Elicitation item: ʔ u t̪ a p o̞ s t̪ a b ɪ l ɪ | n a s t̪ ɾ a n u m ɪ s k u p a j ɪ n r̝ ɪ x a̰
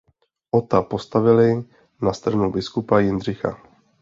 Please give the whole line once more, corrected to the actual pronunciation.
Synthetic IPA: ʔ o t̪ a p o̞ s t̪ a v ɪ l ɪ | n a s t̪ ɾ a n u b ɪ s k u p a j ɪ n r̝ ɪ x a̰